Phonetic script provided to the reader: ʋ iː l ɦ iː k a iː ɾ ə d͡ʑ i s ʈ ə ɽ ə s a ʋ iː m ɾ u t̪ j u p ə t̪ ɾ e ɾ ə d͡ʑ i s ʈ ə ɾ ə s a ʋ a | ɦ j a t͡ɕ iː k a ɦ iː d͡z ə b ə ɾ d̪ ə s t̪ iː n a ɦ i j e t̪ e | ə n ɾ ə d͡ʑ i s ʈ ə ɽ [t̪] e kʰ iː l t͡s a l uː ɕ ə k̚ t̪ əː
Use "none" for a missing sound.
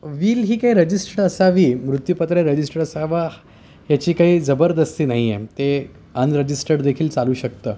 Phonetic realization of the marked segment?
d̪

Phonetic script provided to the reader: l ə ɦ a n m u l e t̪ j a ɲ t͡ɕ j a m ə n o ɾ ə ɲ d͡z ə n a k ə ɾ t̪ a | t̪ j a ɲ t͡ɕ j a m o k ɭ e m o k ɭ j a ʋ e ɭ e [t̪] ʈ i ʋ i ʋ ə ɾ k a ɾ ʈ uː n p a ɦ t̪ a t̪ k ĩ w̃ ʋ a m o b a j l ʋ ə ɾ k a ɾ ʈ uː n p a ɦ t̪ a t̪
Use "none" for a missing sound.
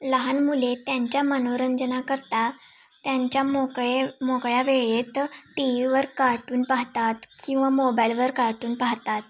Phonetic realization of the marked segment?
t̪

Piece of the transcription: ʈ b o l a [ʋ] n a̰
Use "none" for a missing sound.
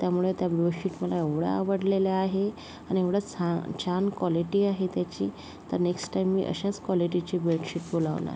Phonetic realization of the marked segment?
ʋ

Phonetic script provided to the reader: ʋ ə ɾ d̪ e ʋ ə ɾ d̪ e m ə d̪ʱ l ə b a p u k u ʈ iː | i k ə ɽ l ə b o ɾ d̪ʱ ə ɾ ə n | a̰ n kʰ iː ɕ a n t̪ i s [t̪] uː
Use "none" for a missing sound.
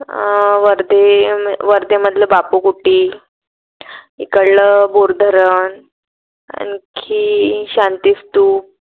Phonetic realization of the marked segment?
t̪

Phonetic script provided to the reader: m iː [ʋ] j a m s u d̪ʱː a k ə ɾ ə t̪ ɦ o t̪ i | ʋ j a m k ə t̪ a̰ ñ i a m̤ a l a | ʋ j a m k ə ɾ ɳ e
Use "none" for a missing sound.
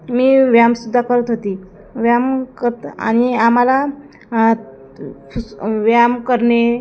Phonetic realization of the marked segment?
ʋ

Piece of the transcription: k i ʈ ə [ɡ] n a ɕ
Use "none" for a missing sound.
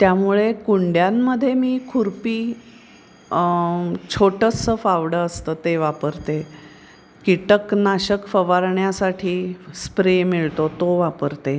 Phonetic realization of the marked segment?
k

